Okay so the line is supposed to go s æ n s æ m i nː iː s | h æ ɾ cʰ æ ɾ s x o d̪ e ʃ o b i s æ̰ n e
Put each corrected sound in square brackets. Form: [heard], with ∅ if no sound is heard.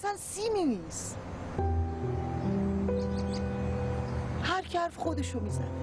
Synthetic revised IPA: s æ n s [i] m i [n] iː s | h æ ɾ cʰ æ ɾ [f] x o d̪ e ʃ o [m] i [z] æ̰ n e